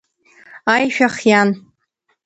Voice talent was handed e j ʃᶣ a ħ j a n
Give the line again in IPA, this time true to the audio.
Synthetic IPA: a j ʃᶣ a χ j a n

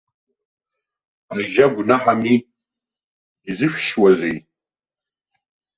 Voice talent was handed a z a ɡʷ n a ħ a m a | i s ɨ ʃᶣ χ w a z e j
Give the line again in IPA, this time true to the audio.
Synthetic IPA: a ʒ a ɡʷ n a ħ a m i | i z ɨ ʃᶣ ʃ w a z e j

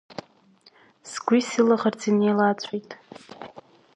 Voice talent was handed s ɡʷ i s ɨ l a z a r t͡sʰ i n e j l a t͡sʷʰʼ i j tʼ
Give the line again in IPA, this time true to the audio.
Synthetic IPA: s ɡʷ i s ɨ l a ʁ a r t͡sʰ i n e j l a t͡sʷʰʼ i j tʼ

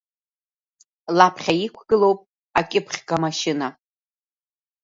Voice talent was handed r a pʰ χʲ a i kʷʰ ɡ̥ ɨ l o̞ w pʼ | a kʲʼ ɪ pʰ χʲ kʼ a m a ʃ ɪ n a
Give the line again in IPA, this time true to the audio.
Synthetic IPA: l a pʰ χʲ a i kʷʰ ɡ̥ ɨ l o̞ w pʼ | a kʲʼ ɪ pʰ χʲ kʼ a m a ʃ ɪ n a

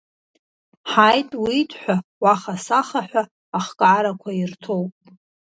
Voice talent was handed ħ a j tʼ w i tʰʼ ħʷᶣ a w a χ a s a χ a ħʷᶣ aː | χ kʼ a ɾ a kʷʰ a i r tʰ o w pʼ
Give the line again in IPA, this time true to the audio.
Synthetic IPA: ħ a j tʼ w i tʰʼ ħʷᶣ a w a χ a s a χ a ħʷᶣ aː | χ kʼ a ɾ a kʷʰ a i r tʰ o w pʼ

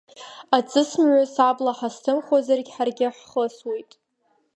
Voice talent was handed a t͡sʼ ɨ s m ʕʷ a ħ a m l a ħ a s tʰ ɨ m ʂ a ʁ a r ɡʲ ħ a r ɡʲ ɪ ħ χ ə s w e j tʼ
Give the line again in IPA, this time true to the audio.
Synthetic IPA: a t͡sʼ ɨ s m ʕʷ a s a b l a ħ a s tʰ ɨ m χ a z a r ɡʲ ħ a r ɡʲ ɪ ħ χ ə s w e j tʼ

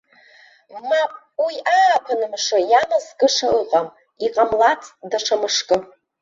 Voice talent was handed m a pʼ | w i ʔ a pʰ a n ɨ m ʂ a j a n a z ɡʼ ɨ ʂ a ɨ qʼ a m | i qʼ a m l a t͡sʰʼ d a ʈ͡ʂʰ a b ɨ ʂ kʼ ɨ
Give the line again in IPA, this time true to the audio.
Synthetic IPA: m a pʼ | w i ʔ a pʰ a n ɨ m ʂ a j a m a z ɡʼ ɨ ʂ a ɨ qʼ a m | i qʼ a m l a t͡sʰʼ d a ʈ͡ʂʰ a m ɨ ʂ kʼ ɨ

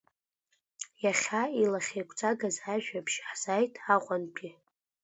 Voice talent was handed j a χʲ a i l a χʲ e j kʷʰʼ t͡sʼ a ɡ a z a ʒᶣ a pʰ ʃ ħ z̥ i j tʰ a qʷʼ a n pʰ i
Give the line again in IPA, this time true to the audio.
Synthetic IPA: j a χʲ a i l a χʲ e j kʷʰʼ t͡sʼ a ɡ a z a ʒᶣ a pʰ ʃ ħ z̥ a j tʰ a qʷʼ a n pʰ i

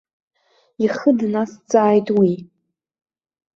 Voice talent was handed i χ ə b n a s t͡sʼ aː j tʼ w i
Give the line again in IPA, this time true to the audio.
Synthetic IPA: i χ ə d n a s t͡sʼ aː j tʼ w i

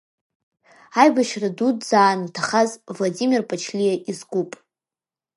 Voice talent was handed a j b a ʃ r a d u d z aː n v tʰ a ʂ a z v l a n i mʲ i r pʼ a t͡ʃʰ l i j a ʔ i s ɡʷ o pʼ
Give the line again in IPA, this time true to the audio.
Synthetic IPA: a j b a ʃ r a d u d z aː n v tʰ a χ a z v l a d i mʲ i r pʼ a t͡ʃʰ l i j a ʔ i z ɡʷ u pʼ

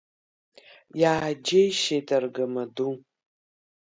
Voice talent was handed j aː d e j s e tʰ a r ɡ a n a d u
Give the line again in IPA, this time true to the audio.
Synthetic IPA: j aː d͡ʒ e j ʃ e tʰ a r ɡ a m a d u

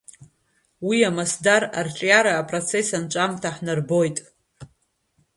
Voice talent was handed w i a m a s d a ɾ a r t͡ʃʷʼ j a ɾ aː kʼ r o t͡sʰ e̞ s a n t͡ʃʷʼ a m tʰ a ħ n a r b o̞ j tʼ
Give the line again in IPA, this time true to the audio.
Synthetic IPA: w i a m a s d a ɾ a r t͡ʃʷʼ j a ɾ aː pʼ r o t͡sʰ e̞ s a n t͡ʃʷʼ a m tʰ a ħ n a r b o̞ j tʼ

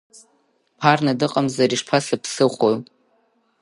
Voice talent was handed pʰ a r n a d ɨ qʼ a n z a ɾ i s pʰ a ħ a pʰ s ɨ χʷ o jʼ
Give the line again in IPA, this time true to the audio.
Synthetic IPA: pʰ a r n a d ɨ qʼ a m z a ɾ i ʂ pʰ a s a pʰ s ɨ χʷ o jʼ

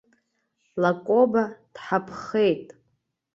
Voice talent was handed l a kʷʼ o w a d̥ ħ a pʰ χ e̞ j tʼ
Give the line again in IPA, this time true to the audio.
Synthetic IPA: l a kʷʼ o b a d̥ ħ a pʰ χ e̞ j tʼ

